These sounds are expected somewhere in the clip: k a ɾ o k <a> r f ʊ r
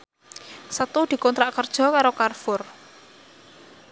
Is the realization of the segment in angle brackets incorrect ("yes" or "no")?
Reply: no